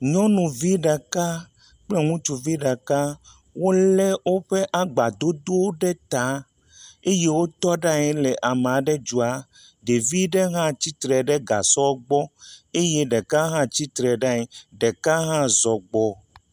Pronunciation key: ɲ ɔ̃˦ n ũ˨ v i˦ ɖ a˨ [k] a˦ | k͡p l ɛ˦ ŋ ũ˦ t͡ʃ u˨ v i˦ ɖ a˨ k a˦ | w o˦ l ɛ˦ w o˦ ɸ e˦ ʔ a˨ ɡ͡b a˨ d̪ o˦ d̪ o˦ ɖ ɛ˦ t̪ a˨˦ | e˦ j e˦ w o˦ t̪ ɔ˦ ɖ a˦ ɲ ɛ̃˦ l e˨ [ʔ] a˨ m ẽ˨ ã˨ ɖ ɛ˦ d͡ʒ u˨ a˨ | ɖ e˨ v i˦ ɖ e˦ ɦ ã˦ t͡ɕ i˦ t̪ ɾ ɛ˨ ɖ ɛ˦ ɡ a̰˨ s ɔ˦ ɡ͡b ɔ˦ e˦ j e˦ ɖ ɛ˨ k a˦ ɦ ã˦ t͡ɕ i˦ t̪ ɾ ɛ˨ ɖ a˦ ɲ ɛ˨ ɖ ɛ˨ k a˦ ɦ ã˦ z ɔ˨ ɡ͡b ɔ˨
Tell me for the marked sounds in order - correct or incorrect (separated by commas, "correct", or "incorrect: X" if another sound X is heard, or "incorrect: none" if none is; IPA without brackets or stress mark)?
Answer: correct, correct